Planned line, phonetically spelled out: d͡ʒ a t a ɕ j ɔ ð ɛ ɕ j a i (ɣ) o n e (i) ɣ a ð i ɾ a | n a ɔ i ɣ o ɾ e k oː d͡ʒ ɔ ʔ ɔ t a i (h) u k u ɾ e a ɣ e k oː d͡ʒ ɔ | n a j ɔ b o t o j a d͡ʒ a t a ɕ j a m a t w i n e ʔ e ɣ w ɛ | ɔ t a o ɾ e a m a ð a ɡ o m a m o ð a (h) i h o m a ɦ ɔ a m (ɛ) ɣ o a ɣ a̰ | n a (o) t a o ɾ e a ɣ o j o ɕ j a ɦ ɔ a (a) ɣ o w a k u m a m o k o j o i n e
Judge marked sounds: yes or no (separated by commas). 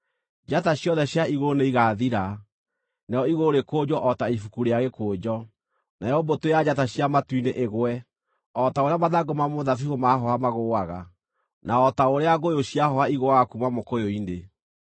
yes, yes, no, no, no, no, no